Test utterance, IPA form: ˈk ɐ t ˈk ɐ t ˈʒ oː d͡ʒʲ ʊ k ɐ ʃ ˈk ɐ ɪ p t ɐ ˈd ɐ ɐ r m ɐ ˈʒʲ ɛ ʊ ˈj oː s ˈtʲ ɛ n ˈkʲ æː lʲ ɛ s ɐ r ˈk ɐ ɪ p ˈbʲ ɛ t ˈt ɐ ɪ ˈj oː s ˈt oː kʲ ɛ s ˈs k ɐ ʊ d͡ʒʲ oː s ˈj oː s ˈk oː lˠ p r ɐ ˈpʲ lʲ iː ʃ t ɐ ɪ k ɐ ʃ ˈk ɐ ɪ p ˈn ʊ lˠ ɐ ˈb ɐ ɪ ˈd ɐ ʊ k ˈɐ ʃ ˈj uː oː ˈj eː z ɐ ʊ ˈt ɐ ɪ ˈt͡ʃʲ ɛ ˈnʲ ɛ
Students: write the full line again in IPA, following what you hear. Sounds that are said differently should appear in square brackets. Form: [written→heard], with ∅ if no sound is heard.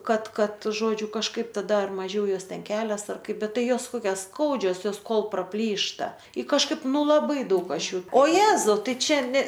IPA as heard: ˈk ɐ t ˈk ɐ t ˈʒ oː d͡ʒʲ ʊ k ɐ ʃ ˈk ɐ ɪ p t ɐ ˈd ɐ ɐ r m ɐ ˈʒʲ ɛ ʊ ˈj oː s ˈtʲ ɛ n ˈkʲ æː lʲ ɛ s ɐ r ˈk ɐ ɪ p ˈbʲ ɛ t ˈt ɐ ɪ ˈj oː s [ˈt→ˈk] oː kʲ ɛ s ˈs k ɐ ʊ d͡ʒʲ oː s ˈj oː s ˈk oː lˠ p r ɐ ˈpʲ lʲ iː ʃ t ɐ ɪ k ɐ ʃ ˈk ɐ ɪ p ˈn ʊ lˠ ɐ ˈb ɐ ɪ ˈd ɐ ʊ k ˈɐ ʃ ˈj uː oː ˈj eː z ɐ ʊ ˈt ɐ ɪ ˈt͡ʃʲ ɛ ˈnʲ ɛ